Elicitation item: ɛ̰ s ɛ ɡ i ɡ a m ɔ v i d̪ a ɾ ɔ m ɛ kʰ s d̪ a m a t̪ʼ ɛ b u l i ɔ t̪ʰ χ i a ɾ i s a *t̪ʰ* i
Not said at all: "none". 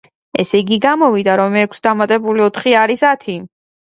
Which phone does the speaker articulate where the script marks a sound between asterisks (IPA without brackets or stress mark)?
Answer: t̪ʰ